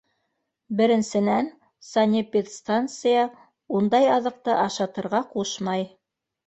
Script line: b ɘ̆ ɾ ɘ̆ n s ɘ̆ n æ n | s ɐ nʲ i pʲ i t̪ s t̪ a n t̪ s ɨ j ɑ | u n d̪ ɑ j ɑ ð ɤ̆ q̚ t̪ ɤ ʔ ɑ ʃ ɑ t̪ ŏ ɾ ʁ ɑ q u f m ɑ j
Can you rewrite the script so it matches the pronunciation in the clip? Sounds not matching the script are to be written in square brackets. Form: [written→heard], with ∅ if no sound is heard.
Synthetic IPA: b ɘ̆ ɾ ɘ̆ n s ɘ̆ n æ n | s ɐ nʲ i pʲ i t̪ s t̪ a n t̪ s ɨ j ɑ | u n d̪ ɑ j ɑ ð ɤ̆ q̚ t̪ ɤ ʔ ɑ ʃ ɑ t̪ [ŏ→ɤ̆] ɾ ʁ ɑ q u [f→ʃ] m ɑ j